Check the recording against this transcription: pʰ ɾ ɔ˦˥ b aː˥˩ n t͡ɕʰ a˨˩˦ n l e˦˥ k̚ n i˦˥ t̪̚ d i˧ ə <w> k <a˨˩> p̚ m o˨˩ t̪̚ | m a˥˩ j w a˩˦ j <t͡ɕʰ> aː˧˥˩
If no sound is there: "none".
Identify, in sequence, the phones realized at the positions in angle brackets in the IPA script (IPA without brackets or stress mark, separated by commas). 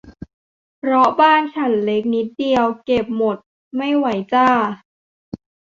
w, e˨˩, t͡ɕ